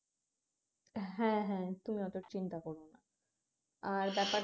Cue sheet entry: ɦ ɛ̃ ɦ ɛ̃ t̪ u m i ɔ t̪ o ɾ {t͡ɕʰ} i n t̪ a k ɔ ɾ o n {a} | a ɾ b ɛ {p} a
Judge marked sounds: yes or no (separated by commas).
no, yes, yes